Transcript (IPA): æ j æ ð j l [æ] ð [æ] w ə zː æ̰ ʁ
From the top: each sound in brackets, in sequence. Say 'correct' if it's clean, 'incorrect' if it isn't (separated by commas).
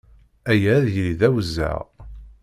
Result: incorrect, correct